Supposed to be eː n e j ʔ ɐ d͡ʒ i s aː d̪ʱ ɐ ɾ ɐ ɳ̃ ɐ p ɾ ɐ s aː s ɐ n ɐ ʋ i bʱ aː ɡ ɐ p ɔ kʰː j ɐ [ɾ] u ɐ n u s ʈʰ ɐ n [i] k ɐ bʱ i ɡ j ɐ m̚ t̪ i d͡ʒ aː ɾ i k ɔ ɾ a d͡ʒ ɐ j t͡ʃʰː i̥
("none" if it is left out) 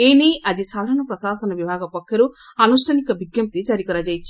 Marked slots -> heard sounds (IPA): ɾ, i

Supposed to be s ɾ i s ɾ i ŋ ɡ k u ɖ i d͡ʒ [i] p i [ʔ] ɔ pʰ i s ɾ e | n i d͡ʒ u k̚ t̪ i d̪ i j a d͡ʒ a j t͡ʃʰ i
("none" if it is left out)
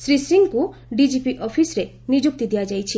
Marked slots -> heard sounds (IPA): i, ʔ

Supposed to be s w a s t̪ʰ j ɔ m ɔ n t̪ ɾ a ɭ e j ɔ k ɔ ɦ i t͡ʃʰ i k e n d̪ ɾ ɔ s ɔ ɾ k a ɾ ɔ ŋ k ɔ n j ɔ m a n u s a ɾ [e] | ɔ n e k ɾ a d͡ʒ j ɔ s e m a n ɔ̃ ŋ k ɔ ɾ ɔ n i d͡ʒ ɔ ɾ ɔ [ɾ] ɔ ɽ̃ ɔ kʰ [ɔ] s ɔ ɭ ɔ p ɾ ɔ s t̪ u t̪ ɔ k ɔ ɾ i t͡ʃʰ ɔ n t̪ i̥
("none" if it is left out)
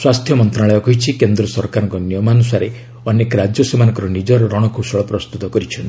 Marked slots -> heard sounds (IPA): e, ɾ, u

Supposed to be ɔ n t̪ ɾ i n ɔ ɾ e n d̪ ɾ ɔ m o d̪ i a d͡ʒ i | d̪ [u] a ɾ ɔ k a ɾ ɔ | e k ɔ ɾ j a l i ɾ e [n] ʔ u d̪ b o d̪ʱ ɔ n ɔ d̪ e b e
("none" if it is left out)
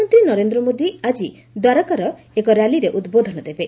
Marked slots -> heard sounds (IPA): w, none

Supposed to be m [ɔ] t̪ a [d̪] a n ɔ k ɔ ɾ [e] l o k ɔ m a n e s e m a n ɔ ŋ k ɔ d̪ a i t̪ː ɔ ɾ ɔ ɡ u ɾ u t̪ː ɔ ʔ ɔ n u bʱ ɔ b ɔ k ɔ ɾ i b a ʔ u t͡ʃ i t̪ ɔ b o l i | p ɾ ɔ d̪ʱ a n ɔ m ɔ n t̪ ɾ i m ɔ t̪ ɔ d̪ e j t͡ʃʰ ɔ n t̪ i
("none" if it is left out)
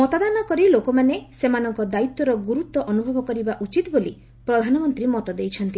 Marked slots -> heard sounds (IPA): ɔ, d̪, i

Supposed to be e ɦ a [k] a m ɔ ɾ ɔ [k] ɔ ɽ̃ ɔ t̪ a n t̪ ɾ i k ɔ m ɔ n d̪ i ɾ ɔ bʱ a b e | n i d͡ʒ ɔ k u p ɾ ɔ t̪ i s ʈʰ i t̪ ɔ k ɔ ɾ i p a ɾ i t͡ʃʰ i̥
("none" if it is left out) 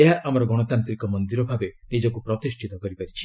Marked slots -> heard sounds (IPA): ʔ, ɡ

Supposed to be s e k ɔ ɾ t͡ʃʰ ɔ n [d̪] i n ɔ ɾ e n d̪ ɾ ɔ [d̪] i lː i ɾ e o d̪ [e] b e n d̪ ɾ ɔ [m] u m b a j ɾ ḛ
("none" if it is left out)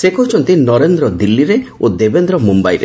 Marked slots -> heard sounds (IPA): t̪, d̪, e, m

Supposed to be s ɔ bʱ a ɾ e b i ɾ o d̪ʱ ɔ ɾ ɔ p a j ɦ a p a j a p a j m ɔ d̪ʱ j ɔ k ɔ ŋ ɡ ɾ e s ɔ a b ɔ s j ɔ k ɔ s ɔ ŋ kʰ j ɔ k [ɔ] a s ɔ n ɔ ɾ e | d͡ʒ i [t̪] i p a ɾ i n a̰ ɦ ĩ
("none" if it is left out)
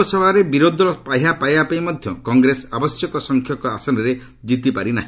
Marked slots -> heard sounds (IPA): ɔ, t̪

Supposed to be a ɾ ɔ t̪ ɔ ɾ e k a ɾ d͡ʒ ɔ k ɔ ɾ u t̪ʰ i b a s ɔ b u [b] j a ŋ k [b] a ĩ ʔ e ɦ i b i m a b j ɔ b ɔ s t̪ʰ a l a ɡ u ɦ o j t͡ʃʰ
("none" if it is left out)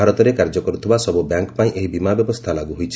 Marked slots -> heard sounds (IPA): b, p

